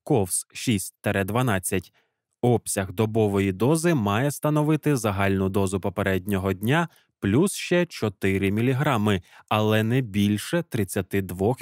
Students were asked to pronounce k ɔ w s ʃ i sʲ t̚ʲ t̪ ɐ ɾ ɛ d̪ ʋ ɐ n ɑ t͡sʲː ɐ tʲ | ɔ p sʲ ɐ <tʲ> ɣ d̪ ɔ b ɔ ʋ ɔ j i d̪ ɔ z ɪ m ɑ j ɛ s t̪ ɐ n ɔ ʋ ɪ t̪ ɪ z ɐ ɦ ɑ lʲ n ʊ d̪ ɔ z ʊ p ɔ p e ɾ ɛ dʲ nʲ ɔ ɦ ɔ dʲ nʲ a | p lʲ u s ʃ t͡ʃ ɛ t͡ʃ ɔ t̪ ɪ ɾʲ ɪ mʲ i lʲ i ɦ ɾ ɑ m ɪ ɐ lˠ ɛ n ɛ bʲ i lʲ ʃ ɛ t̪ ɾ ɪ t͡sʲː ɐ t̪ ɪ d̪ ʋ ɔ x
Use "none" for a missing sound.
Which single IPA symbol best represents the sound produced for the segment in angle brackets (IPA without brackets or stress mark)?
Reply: none